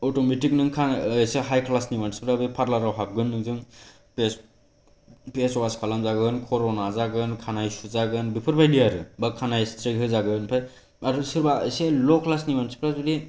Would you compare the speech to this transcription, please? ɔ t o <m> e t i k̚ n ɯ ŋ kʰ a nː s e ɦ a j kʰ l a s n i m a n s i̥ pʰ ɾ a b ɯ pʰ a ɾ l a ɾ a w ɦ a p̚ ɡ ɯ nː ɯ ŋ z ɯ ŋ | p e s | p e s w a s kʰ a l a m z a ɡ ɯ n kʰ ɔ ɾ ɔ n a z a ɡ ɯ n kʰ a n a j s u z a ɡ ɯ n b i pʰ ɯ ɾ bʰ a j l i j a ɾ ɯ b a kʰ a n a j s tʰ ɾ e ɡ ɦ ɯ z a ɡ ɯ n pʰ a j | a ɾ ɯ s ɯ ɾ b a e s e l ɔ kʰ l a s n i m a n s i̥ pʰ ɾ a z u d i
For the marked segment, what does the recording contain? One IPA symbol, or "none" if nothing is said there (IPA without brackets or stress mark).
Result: m